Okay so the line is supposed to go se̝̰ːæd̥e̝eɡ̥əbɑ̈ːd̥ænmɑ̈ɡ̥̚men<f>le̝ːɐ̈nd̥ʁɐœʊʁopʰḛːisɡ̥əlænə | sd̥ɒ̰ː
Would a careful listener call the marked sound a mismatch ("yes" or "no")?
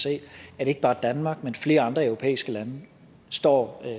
no